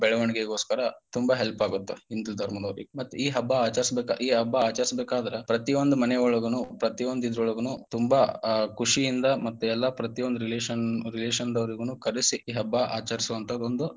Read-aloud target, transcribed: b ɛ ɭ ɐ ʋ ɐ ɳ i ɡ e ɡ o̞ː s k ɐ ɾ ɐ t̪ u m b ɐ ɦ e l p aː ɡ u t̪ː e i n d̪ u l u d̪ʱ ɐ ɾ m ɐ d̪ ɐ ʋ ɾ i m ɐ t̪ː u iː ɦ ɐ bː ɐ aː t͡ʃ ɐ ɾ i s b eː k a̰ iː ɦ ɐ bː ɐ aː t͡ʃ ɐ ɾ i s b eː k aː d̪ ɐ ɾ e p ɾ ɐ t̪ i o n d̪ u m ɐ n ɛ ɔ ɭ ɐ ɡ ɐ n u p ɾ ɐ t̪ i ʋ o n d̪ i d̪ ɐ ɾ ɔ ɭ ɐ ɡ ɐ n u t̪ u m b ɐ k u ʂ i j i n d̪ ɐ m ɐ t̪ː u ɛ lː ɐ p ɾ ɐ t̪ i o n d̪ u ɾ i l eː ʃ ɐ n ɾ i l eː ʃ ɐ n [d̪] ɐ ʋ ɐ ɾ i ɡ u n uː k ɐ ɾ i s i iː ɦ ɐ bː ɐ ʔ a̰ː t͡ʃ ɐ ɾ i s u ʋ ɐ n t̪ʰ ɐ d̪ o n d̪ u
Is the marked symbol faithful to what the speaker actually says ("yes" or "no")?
yes